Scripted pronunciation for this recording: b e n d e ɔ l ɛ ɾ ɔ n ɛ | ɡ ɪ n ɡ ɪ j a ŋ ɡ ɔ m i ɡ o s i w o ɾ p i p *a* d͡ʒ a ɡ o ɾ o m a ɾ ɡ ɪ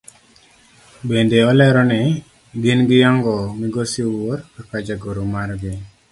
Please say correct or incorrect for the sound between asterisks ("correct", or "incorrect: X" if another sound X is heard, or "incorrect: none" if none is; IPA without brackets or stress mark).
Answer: correct